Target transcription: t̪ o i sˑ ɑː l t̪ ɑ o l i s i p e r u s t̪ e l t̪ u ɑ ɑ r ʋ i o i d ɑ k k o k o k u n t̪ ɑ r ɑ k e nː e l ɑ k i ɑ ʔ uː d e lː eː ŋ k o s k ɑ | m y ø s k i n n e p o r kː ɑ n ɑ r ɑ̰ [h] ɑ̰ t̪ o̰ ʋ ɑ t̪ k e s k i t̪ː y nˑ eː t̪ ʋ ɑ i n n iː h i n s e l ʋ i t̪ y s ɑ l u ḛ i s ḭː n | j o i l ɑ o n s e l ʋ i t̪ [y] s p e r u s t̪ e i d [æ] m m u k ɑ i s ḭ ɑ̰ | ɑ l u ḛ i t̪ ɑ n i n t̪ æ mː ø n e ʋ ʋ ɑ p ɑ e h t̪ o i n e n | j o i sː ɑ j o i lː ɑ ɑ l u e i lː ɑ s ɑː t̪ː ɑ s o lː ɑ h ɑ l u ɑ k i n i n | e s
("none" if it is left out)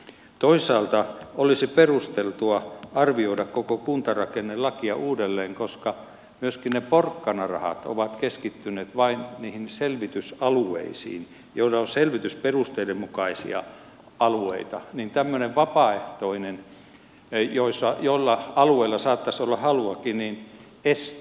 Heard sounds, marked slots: h, y, e

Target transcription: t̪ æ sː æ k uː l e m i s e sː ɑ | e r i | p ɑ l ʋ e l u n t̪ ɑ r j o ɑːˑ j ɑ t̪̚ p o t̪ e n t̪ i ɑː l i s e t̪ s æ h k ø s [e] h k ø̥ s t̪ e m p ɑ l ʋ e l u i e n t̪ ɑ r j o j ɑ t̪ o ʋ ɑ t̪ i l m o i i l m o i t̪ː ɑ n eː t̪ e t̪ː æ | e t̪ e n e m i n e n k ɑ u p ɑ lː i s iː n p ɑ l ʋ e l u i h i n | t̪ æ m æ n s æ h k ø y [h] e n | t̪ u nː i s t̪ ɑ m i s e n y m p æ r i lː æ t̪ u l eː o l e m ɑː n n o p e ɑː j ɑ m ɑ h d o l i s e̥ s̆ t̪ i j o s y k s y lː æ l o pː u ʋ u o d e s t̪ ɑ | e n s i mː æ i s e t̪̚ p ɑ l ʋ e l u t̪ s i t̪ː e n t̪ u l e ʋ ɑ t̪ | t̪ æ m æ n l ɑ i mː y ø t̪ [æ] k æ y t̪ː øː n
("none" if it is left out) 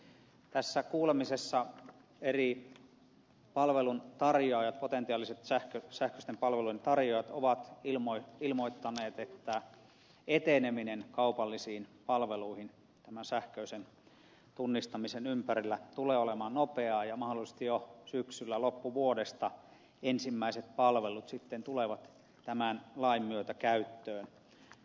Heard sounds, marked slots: æ, s, æ

